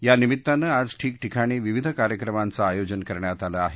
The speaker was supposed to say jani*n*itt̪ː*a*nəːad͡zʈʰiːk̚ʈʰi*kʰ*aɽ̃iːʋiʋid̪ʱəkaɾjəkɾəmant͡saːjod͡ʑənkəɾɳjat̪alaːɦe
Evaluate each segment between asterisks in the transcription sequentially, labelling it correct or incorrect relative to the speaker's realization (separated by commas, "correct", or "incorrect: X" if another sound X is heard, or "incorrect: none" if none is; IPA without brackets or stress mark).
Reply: incorrect: m, correct, correct